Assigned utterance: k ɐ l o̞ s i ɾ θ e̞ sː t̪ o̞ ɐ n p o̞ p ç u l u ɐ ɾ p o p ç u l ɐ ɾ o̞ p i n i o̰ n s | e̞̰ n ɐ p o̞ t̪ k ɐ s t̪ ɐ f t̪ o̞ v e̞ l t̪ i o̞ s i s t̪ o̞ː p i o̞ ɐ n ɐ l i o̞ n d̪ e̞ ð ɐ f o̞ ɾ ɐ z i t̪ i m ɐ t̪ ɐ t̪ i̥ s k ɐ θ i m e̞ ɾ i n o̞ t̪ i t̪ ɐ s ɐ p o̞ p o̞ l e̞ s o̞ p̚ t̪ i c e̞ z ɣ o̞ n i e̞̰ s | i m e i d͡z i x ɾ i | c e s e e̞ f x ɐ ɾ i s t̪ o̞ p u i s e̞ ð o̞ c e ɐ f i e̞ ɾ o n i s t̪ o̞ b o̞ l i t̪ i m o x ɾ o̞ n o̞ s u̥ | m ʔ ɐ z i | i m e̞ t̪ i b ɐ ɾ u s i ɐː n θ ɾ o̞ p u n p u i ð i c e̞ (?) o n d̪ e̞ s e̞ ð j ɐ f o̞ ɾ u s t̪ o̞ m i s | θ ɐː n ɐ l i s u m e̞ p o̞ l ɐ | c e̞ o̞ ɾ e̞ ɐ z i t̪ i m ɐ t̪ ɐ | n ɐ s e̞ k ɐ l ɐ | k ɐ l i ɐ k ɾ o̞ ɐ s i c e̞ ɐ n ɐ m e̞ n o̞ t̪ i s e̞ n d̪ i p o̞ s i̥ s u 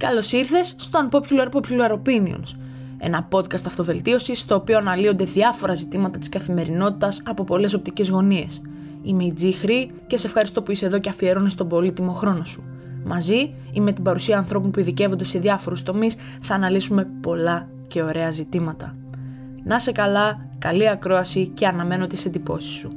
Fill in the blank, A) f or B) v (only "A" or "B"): B